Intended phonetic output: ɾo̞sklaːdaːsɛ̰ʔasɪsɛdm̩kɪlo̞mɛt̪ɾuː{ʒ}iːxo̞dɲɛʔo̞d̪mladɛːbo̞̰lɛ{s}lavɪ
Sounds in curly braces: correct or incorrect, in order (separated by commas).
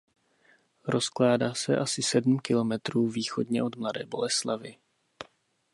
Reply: incorrect, correct